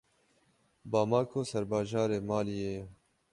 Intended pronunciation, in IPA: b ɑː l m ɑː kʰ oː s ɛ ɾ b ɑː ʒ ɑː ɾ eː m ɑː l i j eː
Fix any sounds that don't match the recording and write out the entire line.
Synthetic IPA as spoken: b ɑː m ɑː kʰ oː s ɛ ɾ b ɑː ʒ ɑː ɾ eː m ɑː l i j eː